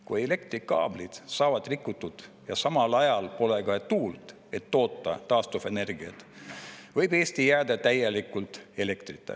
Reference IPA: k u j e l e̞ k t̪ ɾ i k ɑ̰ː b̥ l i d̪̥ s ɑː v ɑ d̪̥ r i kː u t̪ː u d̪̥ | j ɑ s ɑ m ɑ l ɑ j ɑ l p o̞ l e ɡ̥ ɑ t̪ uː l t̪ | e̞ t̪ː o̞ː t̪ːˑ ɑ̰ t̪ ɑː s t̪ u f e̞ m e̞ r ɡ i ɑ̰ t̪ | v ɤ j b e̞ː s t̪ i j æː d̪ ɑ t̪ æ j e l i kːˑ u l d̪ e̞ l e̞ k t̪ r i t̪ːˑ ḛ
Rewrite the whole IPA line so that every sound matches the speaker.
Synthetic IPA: k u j e l e̞ k t̪ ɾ i k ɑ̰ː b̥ l i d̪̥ s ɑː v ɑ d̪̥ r i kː u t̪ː u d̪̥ | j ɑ s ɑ m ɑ l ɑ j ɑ l p o̞ l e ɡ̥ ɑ t̪ uː l t̪ | e̞ t̪ː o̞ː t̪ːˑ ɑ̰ t̪ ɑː s t̪ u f e̞ n e̞ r ɡ i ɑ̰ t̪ | v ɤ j b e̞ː s t̪ i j æː d̪ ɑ t̪ æ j e l i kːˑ u l t̪ e̞ l e̞ k t̪ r i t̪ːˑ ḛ